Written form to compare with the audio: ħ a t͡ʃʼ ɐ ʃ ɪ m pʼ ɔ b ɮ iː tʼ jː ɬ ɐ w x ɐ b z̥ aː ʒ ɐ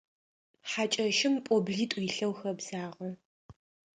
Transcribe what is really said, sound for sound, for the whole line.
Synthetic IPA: ħ a t͡ʃʼ ɐ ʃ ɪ m pʼ ɔ b ɮ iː tʼ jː ɬ ɐ w x ɐ b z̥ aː ʁ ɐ